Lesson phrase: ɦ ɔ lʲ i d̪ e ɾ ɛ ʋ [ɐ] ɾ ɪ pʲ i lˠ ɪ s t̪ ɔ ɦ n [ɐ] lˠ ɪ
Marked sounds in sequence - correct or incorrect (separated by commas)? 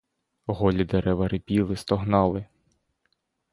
correct, incorrect